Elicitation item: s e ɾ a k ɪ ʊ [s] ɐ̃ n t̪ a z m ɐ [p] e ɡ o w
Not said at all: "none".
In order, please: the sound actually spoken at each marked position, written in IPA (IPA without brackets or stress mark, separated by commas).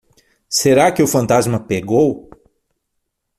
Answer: f, p